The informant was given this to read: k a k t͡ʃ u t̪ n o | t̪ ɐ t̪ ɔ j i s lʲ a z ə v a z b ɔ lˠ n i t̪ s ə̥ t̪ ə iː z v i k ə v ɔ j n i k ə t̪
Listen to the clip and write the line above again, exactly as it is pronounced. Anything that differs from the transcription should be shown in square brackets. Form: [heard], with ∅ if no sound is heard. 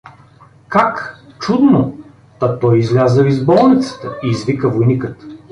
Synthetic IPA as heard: k a k t͡ʃ u [d̪] n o | t̪ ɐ t̪ ɔ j i [z] lʲ a z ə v [i] z b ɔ lˠ n i t̪ s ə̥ t̪ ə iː z v i k ə v [o] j n i k ə t̪